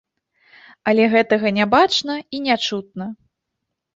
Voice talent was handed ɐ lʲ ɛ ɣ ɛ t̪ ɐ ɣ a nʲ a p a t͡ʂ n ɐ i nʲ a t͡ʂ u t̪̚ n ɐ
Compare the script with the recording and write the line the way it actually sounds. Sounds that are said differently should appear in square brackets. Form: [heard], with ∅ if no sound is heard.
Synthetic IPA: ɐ lʲ ɛ ɣ ɛ t̪ ɐ ɣ [ɐ] nʲ a [b] a t͡ʂ n ɐ i nʲ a t͡ʂ u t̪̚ n ɐ